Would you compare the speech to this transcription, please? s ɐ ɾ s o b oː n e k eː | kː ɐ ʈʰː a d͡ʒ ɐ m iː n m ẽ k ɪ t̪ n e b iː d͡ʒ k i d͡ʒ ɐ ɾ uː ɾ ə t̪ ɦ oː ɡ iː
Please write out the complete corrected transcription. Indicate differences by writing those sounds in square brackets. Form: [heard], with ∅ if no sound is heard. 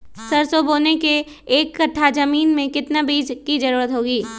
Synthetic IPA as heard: s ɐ ɾ s o b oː n e k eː | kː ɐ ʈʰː a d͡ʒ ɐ m iː n m ẽ k ɪ t̪ n [a] b iː d͡ʒ k i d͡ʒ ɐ ɾ uː ɾ ə t̪ ɦ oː ɡ iː